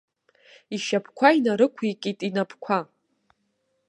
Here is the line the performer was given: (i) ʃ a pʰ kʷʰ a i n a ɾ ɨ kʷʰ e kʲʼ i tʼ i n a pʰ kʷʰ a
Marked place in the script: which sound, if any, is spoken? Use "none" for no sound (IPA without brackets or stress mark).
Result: i